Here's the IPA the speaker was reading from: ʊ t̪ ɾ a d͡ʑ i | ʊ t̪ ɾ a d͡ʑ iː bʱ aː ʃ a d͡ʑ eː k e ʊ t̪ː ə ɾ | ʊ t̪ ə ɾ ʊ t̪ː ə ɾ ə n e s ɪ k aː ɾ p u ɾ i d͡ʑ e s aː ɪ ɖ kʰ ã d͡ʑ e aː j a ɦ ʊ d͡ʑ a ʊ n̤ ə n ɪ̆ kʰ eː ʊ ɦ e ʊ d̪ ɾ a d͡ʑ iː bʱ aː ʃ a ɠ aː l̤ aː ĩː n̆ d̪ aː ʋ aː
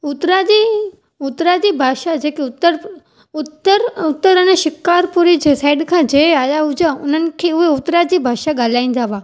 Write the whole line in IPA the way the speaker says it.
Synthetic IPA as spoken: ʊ t̪ ɾ a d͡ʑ i | ʊ t̪ ɾ a d͡ʑ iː bʱ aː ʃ a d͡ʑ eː k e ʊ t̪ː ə ɾ | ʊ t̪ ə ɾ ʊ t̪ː ə ɾ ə n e ʃ ɪ k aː ɾ p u ɾ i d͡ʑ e s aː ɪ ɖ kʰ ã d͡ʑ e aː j a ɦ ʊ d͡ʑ a ʊ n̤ ə n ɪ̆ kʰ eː ʊ ɦ e ʊ t̪ ɾ a d͡ʑ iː bʱ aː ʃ a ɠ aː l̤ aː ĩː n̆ d̪ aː ʋ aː